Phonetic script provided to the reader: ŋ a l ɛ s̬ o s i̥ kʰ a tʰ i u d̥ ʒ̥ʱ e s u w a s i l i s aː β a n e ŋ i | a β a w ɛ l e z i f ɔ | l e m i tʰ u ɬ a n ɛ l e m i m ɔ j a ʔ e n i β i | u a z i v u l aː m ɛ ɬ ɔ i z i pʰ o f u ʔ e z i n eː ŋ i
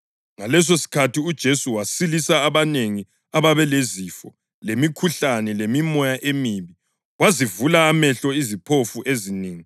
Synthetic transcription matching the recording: ŋ a l ɛ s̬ o s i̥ kʰ a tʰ i u d̥ ʒ̥ʱ e s u w a s i l i s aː β a n e ŋ i | a β a β ɛ l e z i f ɔ | l e m i kʰ u ɬ a n ɛ l e m i m ɔ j a ʔ e m i β i | w a z i v u l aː m ɛ ɬ ɔ i z i pʰ o f u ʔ e z i n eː ŋ i